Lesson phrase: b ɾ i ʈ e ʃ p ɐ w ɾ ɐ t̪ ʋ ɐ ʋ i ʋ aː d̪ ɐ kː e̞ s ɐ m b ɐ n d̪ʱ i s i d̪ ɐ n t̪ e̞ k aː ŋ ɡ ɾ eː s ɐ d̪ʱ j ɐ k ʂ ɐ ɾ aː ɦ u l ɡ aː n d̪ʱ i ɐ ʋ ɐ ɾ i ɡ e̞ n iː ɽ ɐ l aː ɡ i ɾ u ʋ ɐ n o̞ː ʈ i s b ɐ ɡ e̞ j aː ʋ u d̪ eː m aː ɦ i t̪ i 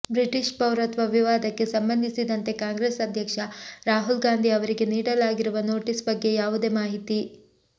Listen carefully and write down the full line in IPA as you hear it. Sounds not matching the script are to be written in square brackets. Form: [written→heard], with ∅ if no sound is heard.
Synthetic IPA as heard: b ɾ i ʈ [e→i] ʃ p ɐ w ɾ ɐ t̪ ʋ ɐ ʋ i ʋ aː d̪ ɐ kː e̞ s ɐ m b ɐ n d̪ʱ i s i d̪ ɐ n t̪ e̞ k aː ŋ ɡ ɾ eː s ɐ d̪ʱ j ɐ k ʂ ɐ ɾ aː ɦ u l ɡ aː n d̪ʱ i ɐ ʋ ɐ ɾ i ɡ e̞ n iː ɽ ɐ l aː ɡ i ɾ u ʋ ɐ n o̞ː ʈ i s b ɐ [ɡ→ɡː] e̞ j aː ʋ u d̪ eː m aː ɦ i t̪ i